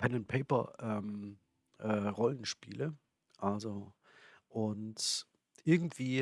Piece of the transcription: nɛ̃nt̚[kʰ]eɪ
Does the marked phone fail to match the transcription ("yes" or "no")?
yes